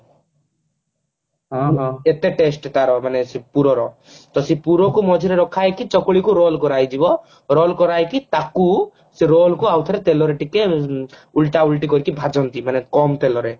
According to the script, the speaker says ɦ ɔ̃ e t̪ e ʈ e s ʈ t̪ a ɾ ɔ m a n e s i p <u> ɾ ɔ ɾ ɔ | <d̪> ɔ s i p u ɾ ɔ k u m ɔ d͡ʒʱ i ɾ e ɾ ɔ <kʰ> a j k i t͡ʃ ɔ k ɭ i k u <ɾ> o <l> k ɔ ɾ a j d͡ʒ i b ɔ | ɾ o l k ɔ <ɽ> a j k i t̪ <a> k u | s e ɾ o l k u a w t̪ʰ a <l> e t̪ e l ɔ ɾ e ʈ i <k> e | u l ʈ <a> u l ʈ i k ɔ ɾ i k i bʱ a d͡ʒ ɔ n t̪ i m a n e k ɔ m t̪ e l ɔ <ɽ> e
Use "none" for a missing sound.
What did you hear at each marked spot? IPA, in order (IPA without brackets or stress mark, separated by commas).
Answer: u, t̪, kʰ, ɾ, l, ɾ, a, ɾ, k, a, ɾ